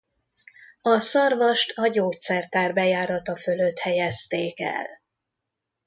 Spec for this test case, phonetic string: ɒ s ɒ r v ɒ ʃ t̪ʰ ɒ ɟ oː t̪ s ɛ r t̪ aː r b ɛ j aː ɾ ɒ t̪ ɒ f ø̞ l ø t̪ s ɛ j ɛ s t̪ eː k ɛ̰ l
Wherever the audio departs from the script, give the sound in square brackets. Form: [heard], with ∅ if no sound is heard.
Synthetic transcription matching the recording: ɒ s ɒ r v ɒ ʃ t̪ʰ ɒ ɟ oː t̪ s ɛ r t̪ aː r b ɛ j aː ɾ ɒ t̪ ɒ f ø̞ l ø t̪ [h] ɛ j ɛ s t̪ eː k ɛ̰ l